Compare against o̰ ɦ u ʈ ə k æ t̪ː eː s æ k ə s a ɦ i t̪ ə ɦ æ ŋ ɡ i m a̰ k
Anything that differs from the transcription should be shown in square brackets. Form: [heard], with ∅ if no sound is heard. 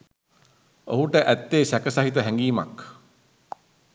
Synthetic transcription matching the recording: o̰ ɦ u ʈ ə [ʔ] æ t̪ː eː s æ k ə s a ɦ i t̪ ə ɦ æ ŋ ɡ [iː] m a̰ k